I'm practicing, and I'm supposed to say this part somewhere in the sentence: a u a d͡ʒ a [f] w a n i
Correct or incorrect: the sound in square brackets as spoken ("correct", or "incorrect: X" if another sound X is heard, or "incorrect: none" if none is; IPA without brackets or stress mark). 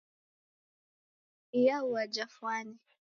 correct